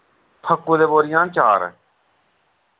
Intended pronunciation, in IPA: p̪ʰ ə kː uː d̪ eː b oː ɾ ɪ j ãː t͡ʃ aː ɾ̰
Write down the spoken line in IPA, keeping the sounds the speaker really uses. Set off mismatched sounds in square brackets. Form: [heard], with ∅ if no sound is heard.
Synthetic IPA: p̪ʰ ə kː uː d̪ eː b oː ɾ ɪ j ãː t͡ʃ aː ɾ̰